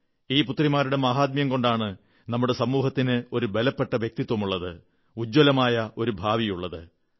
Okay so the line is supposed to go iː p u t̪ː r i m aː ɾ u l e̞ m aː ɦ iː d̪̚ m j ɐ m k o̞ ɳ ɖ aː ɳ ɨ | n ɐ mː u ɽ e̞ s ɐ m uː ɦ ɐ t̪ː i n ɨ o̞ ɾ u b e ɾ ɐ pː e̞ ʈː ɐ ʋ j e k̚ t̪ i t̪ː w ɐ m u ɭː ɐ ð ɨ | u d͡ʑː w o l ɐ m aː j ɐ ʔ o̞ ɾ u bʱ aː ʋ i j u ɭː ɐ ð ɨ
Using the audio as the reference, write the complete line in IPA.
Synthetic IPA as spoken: iː p u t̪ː r i m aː ɾ u ɽ e̞ m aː ɦ aː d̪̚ m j ɐ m k o̞ ɳ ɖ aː ɳ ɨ | n ɐ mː u ɽ e̞ s ɐ m uː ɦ ɐ t̪ː i n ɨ o̞ ɾ u b e l ɐ pː e̞ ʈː ɐ ʋ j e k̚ t̪ i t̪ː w ɐ m u ɭː ɐ ð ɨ | u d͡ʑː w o l ɐ m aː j ɐ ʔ o̞ ɾ u bʱ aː ʋ i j u ɭː ɐ ð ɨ